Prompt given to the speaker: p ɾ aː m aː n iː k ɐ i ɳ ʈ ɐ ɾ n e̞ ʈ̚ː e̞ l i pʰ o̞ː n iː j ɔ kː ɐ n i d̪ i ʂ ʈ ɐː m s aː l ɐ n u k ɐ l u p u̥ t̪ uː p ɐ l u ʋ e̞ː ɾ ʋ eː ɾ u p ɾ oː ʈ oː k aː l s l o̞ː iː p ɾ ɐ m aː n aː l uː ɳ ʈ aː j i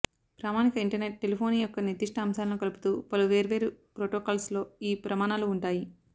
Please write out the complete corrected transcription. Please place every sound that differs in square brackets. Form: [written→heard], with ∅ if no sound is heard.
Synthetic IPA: p ɾ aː m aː n [iː→i] k ɐ i ɳ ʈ ɐ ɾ n e̞ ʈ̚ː e̞ l i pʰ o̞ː n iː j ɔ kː ɐ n i d̪ i ʂ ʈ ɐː m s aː l ɐ n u k ɐ l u p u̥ t̪ uː p ɐ l u ʋ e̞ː ɾ ʋ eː ɾ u p ɾ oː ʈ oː k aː l s l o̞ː iː p ɾ ɐ m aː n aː l uː ɳ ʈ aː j i